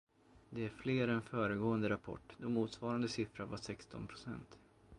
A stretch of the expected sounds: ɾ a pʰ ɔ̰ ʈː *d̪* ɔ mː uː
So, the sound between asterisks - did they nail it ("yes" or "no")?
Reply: yes